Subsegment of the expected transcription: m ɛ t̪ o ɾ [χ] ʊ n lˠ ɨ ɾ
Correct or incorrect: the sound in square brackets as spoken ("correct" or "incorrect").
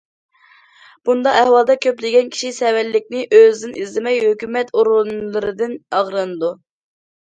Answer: incorrect